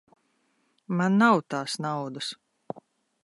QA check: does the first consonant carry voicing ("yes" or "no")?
yes